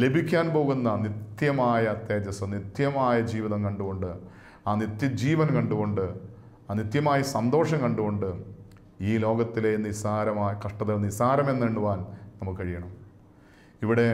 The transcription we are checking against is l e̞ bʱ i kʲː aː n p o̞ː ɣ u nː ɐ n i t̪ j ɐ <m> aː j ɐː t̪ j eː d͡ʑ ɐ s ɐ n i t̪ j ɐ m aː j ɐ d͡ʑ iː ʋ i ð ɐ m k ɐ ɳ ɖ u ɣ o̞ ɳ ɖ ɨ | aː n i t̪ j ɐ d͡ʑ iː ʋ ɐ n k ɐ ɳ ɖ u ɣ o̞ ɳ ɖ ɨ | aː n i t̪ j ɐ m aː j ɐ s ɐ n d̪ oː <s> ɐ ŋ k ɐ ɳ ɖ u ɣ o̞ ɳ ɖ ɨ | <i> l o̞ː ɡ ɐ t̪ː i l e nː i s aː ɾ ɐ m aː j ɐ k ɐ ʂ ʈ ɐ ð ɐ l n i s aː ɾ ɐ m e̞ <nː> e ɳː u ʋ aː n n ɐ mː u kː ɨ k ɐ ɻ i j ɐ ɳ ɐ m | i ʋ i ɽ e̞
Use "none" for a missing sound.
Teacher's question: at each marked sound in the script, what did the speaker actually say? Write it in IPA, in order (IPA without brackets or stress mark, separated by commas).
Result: m, ʂ, iː, nː